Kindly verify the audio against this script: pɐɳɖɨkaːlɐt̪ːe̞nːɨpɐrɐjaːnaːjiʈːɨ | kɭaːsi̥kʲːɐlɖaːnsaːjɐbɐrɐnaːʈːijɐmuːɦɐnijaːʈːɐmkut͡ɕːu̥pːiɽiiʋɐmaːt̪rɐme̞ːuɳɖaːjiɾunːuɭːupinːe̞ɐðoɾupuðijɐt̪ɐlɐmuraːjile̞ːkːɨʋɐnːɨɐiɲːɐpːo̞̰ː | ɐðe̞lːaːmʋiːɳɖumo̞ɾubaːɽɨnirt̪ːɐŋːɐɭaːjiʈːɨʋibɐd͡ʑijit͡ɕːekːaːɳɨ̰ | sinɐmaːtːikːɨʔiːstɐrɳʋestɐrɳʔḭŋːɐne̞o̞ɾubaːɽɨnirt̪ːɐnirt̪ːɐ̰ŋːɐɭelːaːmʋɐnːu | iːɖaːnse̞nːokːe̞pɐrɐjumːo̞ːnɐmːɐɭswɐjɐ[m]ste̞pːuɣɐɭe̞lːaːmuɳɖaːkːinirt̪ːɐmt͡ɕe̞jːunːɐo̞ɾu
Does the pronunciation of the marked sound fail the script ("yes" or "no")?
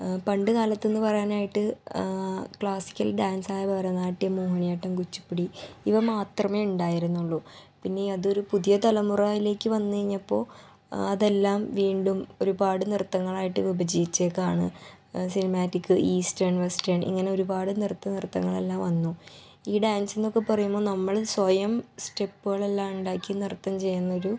no